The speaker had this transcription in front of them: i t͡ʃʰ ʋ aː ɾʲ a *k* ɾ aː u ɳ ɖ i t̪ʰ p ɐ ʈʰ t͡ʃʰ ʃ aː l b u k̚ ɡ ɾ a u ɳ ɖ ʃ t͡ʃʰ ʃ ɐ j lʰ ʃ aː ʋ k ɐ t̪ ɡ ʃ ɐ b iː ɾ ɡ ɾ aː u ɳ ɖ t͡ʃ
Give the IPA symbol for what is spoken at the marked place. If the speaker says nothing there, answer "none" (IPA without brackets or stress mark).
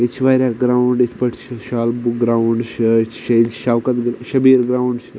ɡ